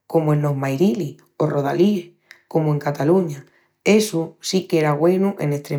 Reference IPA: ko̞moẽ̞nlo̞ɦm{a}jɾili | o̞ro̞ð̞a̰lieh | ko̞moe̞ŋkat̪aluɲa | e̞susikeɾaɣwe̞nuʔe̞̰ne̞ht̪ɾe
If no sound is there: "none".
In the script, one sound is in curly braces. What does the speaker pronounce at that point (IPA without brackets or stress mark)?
a